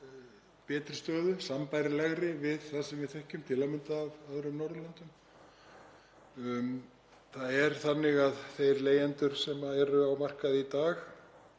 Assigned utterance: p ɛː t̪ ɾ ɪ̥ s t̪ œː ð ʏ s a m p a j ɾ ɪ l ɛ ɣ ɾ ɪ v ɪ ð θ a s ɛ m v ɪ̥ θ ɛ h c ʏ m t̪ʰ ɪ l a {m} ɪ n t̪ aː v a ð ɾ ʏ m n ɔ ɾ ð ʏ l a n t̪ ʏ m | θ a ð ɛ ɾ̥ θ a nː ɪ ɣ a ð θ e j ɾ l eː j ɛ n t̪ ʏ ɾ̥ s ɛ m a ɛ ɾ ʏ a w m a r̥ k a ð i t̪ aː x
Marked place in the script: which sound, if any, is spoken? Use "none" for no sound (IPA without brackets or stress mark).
m